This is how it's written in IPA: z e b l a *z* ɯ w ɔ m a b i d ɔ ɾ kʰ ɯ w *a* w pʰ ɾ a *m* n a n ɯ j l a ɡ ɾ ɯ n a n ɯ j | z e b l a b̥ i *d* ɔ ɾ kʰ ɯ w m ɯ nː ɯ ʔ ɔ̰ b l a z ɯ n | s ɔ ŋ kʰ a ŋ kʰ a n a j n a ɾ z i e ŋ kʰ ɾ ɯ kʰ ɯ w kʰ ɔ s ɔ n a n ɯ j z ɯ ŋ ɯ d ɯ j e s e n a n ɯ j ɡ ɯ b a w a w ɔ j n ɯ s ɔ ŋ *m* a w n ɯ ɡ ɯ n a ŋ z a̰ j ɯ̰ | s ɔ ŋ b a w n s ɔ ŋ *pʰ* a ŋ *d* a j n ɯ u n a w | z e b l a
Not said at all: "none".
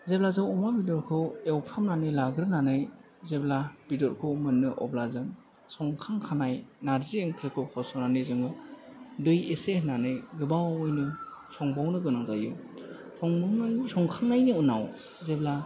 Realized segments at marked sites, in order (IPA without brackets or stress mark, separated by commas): z, e, m, d, b, kʰ, n